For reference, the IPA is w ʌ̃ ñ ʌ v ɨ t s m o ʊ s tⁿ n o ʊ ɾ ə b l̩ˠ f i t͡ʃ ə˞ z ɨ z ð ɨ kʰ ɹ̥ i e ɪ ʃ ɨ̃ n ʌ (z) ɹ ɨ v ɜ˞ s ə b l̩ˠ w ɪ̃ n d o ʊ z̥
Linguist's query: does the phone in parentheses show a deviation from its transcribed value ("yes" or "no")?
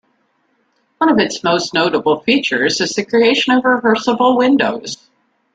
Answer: yes